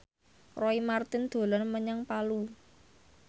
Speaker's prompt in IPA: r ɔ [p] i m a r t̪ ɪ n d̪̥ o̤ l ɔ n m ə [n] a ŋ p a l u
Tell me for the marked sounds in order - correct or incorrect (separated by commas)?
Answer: incorrect, incorrect